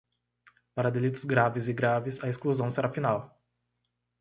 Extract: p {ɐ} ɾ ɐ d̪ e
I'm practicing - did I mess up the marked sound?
yes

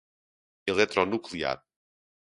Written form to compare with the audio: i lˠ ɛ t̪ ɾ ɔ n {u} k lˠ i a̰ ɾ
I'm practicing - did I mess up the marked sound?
no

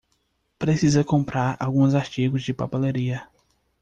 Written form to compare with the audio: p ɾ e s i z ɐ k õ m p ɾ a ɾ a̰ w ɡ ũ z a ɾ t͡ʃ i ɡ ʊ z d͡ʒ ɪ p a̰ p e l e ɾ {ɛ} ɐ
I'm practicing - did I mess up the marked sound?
yes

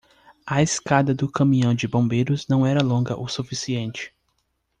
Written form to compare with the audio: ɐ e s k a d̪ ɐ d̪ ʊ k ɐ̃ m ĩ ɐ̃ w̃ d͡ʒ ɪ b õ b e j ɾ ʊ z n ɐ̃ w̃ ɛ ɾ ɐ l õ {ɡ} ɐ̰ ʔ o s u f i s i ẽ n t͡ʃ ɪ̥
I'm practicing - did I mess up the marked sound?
no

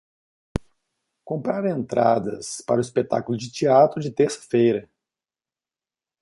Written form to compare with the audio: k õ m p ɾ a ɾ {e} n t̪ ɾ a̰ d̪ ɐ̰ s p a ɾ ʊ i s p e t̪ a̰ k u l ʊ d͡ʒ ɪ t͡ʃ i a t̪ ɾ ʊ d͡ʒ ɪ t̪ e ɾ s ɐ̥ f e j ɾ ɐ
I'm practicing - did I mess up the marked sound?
yes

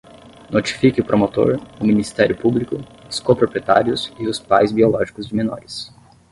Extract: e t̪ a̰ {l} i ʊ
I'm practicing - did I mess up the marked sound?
yes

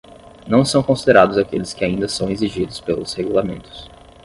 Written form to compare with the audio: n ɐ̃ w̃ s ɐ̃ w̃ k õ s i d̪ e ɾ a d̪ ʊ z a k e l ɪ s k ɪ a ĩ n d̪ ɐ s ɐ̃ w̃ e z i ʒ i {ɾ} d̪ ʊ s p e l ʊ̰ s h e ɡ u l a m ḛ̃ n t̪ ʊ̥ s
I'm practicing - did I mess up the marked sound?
yes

